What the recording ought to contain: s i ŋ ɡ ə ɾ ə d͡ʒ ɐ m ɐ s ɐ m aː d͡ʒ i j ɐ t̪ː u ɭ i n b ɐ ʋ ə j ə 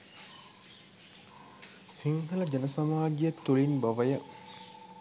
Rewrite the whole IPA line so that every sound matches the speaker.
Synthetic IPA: s i ŋ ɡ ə l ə d͡ʒ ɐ n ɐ s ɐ m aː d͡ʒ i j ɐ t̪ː u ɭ i n b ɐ ʋ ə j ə